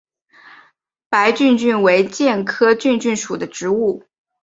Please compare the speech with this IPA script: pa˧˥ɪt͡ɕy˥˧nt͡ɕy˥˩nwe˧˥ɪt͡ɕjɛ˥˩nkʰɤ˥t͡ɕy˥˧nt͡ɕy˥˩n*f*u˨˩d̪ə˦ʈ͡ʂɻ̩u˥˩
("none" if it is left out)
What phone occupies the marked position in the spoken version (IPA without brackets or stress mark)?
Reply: ʂ